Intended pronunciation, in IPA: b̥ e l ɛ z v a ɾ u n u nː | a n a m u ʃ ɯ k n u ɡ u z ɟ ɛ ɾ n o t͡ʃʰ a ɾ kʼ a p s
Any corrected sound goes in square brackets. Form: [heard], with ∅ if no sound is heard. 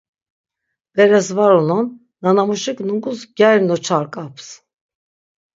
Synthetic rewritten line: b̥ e [ɾ] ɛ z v a ɾ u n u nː | a n a m u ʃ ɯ k n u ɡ u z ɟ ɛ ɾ n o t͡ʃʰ a ɾ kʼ a p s